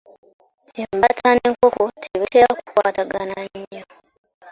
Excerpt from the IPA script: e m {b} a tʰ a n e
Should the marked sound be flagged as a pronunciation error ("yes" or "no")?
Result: no